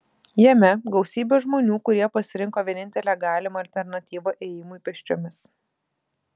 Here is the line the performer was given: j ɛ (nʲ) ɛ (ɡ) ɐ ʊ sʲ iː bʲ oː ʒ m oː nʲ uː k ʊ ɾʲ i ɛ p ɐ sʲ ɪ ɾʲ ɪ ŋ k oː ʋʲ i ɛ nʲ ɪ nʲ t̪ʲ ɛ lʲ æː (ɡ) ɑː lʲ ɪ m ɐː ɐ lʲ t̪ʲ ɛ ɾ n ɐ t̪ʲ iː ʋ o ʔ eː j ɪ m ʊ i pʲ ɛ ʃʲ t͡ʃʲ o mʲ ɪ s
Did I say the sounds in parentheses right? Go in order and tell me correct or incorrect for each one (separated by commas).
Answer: incorrect, correct, correct